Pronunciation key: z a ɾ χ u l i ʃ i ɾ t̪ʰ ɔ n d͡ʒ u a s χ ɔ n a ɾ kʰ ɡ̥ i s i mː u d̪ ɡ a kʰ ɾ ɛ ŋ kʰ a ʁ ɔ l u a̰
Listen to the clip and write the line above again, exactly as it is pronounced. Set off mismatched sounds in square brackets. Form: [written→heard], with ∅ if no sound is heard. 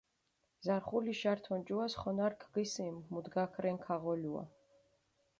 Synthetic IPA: z a ɾ χ u l i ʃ [i→a] ɾ t̪ʰ ɔ n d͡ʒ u a s χ ɔ n a ɾ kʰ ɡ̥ i s i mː u d̪ ɡ a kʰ ɾ ɛ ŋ kʰ a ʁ ɔ l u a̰

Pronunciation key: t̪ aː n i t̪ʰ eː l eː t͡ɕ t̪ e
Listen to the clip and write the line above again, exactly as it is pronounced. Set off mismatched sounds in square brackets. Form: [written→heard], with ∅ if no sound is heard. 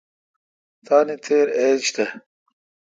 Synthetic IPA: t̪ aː n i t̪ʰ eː [l→ɾ] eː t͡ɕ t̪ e

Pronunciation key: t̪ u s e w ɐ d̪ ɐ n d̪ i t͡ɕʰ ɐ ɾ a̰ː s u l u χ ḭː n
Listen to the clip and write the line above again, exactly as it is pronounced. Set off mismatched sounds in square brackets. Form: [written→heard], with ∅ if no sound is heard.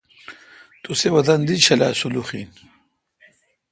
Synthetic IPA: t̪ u s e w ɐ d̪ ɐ n d̪ i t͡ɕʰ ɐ [ɾ→l] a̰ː s u l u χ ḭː n

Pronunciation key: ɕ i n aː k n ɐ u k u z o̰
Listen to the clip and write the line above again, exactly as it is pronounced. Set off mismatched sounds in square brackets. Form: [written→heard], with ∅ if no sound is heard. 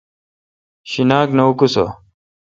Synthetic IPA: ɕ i n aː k n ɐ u k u [z→s] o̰

